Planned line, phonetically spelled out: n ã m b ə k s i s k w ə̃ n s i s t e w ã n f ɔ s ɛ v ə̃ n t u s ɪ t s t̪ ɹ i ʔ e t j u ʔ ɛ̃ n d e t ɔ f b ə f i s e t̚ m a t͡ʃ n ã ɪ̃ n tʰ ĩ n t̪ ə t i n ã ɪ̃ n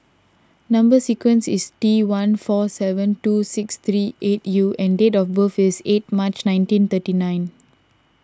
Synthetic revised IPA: n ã m b ə s i k w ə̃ n s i s t i w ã n f ɔ s ɛ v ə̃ n t u s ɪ k s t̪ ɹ i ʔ e t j u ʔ ɛ̃ n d e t ɔ f b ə f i s e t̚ m a t͡ʃ n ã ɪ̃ n t ĩ n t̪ ə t i n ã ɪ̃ n